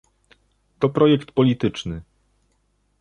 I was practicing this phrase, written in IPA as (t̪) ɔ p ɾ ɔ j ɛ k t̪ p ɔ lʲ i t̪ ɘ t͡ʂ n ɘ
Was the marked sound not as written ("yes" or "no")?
no